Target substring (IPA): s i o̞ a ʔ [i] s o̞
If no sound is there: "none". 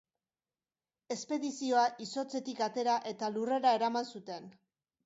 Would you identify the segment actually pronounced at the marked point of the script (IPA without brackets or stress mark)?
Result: i